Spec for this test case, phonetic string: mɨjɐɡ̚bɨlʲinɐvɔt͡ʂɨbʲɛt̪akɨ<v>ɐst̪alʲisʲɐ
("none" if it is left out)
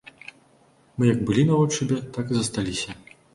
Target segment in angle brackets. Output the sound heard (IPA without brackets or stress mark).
z